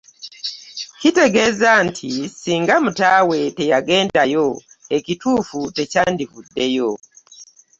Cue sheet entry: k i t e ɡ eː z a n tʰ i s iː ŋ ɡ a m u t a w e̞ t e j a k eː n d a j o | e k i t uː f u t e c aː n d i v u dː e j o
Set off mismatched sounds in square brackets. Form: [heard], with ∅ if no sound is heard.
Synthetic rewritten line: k i t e ɡ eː z a n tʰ i s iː ŋ ɡ a m u t a w e̞ t e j a [ɡ] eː n d a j o | e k i t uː f u t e c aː n d i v u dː e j o